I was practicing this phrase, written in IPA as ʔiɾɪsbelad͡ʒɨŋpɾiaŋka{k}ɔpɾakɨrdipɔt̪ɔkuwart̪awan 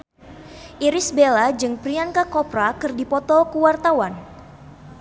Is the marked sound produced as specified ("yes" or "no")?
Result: yes